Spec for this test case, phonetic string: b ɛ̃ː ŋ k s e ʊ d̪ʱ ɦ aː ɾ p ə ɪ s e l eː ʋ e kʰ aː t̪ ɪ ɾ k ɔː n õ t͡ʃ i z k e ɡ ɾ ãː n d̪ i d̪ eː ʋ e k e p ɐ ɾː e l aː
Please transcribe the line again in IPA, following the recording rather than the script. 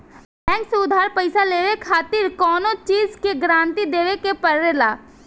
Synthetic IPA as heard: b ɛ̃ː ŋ k s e ʊ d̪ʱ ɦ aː ɾ p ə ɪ s a l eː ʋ e kʰ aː t̪ ɪ ɾ k ɔː n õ t͡ʃ iː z k e ɡ ɾ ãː n t̪ i d̪ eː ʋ e k e p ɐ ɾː e l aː